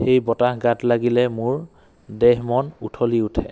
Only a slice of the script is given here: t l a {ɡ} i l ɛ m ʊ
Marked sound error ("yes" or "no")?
no